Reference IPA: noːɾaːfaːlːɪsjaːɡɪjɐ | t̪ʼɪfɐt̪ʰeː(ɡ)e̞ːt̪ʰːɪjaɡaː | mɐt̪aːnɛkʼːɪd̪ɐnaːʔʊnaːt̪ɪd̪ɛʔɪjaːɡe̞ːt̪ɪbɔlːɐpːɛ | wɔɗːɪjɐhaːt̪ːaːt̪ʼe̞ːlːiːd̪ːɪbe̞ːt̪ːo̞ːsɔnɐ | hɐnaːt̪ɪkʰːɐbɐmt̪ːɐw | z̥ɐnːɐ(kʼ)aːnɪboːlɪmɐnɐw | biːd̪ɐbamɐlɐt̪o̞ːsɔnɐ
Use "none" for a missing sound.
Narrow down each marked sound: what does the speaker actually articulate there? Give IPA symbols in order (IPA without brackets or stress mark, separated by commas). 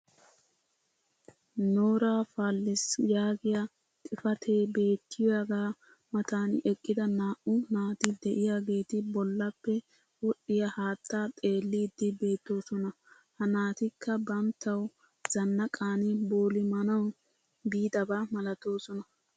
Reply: b, kʼ